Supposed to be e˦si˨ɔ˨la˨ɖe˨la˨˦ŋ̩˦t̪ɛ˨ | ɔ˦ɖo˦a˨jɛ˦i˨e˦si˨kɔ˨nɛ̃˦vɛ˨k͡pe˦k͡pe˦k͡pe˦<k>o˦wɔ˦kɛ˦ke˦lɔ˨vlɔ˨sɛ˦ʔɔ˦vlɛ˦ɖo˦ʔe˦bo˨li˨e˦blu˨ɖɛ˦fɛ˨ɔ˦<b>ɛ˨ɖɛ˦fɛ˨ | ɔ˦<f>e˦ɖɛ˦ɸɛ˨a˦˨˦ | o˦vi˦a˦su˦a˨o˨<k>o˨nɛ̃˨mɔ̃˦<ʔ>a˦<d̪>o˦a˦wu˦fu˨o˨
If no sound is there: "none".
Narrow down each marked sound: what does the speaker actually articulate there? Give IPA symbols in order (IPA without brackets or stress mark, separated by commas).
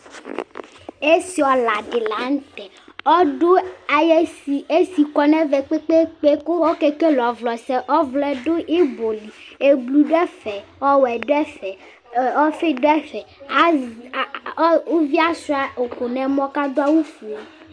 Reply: k, w, f, k, k, d̪